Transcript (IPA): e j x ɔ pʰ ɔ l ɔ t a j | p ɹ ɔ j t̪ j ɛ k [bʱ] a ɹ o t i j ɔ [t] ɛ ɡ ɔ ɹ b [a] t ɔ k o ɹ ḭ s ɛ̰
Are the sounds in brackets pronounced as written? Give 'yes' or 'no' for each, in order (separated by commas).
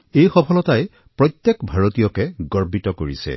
yes, no, no